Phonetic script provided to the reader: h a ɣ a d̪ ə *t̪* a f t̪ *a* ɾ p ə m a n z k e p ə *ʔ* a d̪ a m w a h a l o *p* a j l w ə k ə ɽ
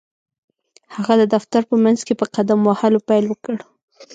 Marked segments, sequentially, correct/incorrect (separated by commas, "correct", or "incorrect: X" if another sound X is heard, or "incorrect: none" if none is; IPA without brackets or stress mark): incorrect: d̪, correct, incorrect: q, correct